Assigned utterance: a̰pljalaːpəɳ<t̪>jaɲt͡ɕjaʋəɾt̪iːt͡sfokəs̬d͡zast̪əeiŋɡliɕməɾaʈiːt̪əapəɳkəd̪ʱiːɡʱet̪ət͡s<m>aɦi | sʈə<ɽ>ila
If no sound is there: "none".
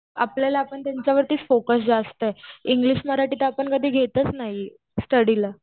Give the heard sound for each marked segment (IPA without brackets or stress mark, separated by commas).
t̪, n, ɽ